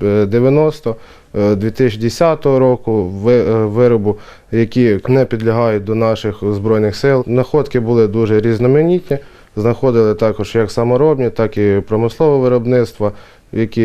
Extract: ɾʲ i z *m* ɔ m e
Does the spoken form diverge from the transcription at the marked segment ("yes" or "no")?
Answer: yes